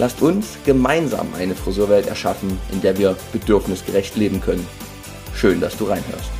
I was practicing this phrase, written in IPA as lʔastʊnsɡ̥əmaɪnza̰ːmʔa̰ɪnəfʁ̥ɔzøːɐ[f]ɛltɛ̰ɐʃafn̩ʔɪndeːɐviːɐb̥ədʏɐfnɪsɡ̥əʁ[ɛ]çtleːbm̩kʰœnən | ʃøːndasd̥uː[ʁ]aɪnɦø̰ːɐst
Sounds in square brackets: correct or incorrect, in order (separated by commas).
incorrect, correct, correct